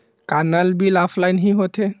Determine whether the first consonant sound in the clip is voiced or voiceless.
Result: voiceless